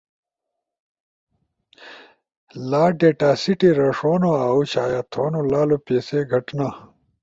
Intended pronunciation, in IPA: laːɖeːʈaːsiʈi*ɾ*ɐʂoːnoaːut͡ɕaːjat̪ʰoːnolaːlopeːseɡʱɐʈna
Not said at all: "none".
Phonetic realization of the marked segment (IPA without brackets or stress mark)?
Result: ɾ